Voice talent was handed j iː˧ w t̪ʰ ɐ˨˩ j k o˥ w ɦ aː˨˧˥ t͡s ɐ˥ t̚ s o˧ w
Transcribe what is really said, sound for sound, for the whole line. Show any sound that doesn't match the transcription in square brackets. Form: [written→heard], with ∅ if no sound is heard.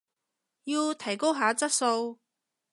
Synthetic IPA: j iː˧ w t̪ʰ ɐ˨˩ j k o˥ w ɦ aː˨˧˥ t͡s ɐ˥ t̚ s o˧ w